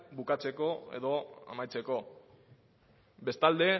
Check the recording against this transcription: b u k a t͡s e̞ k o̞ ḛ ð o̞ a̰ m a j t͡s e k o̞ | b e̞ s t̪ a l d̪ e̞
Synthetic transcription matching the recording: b u k a t͡s e̞ k o̞ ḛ ð o̞ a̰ m a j t͡s e k o̞ | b e̞ s t̪ a l d̪ e̞